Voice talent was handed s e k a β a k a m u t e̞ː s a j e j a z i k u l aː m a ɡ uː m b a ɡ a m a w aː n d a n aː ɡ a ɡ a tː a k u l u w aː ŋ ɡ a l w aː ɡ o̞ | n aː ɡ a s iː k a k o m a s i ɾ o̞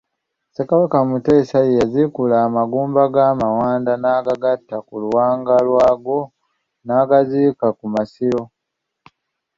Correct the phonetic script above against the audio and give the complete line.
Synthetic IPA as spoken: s e k a β a k a m u t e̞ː s a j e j a z i k u l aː m a ɡ uː m b a ɡ a m a w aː n d a n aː ɡ a ɡ a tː a k u l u w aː ŋ ɡ a l w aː ɡ o̞ | n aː ɡ a z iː k a k u m a s i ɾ o̞

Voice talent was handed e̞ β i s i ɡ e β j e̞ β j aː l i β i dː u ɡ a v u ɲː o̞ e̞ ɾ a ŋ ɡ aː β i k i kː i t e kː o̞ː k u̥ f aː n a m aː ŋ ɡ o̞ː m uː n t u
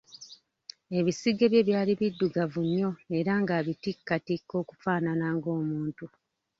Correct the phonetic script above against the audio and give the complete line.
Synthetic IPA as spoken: e̞ β i s i ɡ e β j e̞ β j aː l i β i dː u ɡ a v u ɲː o̞ e̞ ɾ a ŋ ɡ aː β i t i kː a t i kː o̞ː k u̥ f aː n a n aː ŋ ɡ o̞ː m uː n t u

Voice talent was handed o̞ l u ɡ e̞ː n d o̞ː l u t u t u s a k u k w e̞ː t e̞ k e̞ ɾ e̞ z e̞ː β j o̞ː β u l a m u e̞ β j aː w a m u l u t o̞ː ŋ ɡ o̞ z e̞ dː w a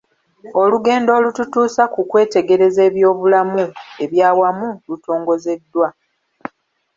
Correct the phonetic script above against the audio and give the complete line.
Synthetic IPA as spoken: o̞ l u ɡ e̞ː n d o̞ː l u t u t uː s a k u k w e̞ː t e̞ ɡ e̞ ɾ e̞ z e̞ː β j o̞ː β u l a m u e̞ β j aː w a m u l u t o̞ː ŋ ɡ o̞ z e̞ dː w a

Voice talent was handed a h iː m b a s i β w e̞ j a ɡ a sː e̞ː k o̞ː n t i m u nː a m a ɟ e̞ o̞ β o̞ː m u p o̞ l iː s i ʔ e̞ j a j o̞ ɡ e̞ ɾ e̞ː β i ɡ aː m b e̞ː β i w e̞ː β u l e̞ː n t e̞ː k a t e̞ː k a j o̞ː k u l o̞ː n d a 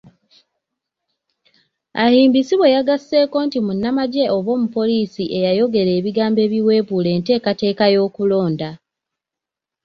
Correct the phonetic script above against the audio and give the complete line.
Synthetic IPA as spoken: a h iː m b i s i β w e̞ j a ɡ a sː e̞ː k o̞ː n t i m u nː a m a ɟ e̞ o̞ β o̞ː m u p o̞ l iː s i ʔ e̞ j a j o̞ ɡ e̞ ɾ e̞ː β i ɡ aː m b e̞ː β i w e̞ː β u l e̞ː n t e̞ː k a t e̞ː k a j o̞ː k u l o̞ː n d a

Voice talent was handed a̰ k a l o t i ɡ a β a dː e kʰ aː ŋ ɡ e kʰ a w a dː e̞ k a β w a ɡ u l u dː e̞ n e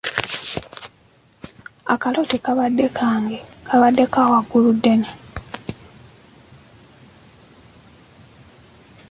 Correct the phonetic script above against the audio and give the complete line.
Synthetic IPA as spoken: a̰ k a l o t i k a β a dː e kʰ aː ŋ ɡ e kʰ a β a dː e̞ k a w a ɡ u l u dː e̞ n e

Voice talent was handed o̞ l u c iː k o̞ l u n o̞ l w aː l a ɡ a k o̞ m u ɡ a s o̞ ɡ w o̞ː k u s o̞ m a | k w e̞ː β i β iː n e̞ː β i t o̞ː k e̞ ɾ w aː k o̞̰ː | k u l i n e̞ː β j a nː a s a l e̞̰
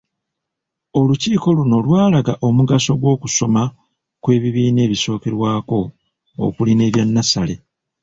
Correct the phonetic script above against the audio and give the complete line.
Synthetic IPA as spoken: o̞ l u c iː k o̞ l u n o̞ l w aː l a ɡ a ʔ o̞ m u ɡ a s o̞ ɡ w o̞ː k u s o̞ m a | k w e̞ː β i β iː n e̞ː β i s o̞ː k e̞ ɾ w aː k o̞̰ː | k u l i n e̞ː β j a nː a s a l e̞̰

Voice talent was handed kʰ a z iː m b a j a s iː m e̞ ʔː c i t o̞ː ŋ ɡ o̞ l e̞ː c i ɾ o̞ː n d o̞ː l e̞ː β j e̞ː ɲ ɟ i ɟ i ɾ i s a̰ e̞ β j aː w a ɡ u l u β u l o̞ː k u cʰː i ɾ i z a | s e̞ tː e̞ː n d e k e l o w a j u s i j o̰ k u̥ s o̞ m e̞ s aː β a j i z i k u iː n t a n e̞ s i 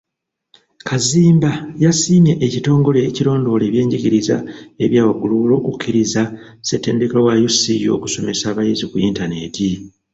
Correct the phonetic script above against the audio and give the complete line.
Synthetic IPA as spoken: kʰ a z iː m b a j a s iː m e̞ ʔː c i t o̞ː ŋ ɡ o̞ l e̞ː c i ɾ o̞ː n d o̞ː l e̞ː β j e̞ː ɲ ɟ i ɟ i ɾ i z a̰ e̞ β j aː w a ɡ u l u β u l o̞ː k u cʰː i ɾ i z a | s e̞ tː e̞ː n d e k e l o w a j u s i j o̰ k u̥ s o̞ m e̞ s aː β a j i z i k u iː n t a n e̞ t i

